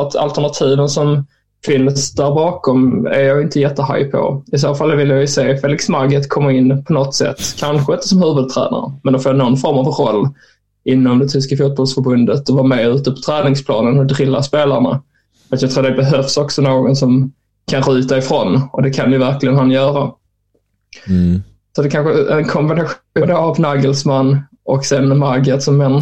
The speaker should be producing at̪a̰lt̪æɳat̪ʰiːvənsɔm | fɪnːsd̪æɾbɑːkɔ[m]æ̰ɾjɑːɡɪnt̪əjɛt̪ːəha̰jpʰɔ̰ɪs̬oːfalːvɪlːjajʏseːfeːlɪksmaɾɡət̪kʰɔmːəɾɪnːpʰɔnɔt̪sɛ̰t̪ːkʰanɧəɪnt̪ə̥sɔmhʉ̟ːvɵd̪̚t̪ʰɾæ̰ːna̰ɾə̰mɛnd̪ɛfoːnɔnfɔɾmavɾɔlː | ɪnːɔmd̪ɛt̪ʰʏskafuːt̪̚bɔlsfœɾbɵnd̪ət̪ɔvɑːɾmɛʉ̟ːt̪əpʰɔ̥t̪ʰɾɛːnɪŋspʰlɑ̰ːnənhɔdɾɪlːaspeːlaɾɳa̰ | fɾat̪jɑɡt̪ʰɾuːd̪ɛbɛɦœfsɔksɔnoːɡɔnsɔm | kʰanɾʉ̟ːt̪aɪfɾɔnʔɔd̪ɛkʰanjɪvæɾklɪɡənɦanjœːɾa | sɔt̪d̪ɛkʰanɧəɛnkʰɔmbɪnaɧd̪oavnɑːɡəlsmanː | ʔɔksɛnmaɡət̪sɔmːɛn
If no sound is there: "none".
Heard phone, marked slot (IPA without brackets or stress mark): m